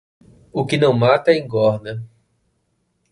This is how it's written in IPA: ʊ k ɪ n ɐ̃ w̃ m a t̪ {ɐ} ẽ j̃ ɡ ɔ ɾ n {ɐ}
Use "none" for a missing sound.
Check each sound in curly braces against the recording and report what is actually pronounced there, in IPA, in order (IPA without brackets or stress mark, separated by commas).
ɐ, ɐ